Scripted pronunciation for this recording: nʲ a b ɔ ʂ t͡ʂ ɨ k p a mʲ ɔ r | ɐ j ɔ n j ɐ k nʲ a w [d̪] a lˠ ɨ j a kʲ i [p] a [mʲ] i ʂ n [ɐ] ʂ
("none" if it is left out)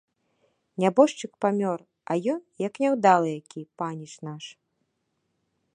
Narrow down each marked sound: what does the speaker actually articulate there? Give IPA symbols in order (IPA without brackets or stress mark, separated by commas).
d̪, p, nʲ, a